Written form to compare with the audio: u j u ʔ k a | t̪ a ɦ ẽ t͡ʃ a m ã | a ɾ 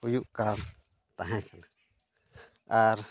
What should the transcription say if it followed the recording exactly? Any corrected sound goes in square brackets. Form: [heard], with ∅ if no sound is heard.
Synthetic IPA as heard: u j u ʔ k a | t̪ a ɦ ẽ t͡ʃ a [n] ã | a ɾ